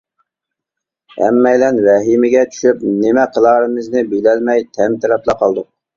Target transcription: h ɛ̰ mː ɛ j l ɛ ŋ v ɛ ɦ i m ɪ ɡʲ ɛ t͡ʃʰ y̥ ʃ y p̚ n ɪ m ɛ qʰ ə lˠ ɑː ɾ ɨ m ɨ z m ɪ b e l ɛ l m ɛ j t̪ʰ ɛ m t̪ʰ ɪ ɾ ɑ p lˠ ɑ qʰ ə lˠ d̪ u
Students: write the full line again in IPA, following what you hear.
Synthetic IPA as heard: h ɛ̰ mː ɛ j l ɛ n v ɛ ɦ i m ɪ ɡʲ ɛ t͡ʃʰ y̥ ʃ y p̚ n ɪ m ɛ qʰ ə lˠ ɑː ɾ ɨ m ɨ z n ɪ b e l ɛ l m ɛ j t̪ʰ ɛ m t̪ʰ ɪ ɾ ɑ p lˠ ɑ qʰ ɑ lˠ d̪ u

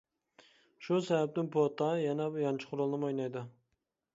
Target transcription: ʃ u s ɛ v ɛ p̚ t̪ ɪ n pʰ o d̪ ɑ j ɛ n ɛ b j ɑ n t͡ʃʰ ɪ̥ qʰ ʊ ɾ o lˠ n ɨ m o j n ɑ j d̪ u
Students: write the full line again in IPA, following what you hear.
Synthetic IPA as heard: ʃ u s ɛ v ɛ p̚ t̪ ɪ n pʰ o t̪ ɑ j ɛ n ɛ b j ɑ n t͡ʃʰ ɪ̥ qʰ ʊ ɾ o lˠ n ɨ m o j n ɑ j d̪ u

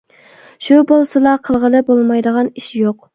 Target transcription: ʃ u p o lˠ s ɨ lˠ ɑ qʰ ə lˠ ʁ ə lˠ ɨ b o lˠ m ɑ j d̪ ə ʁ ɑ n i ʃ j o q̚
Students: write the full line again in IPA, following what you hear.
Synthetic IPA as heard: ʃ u b o lˠ s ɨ lˠ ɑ qʰ ə lˠ ʁ ə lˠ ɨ b o lˠ m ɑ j d̪ ə ʁ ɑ n i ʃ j o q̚

